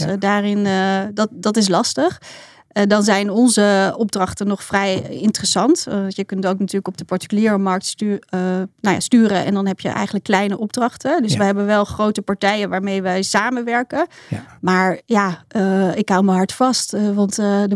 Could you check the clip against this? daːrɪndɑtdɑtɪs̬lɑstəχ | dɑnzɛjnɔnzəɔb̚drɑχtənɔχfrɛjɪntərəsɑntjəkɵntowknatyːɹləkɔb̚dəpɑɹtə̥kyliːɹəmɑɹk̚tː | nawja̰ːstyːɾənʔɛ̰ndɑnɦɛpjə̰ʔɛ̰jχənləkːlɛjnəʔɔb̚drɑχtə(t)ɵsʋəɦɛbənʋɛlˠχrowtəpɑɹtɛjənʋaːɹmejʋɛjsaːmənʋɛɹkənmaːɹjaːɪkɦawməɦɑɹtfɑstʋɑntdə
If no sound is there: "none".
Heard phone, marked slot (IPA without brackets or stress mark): d